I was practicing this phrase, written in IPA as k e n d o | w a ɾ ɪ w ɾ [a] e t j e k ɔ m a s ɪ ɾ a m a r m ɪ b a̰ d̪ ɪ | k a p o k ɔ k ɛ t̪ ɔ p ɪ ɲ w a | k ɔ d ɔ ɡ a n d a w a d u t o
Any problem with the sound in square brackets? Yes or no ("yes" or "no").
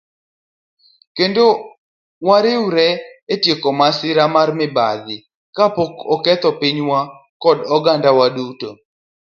yes